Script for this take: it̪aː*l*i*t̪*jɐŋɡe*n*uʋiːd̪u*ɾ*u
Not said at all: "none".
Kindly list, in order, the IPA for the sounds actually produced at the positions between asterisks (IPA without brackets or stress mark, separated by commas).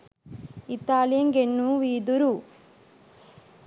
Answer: l, none, nː, ɾ